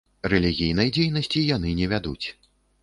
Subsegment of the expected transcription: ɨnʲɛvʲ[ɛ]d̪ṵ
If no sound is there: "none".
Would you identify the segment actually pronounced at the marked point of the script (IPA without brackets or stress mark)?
a